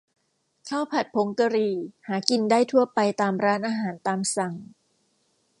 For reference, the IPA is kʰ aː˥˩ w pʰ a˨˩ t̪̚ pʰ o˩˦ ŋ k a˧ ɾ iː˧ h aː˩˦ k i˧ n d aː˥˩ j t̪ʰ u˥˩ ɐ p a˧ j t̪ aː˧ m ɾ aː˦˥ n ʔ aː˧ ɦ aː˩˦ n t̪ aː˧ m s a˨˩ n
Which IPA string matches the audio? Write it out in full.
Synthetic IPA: kʰ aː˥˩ w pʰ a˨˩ t̪̚ pʰ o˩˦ ŋ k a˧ ɾ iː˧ h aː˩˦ k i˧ n d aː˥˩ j t̪ʰ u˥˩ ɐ p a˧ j t̪ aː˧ m ɾ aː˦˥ n ʔ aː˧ ɦ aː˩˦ n t̪ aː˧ m s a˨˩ ŋ